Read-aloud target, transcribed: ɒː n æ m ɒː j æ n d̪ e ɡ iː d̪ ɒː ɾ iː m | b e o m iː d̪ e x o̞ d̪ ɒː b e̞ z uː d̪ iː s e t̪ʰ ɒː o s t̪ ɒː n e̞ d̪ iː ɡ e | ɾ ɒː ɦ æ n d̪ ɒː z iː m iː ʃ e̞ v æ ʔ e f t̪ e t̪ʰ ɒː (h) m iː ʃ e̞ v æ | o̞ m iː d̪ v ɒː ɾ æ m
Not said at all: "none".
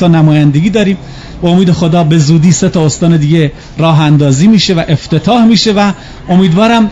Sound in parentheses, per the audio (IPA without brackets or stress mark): h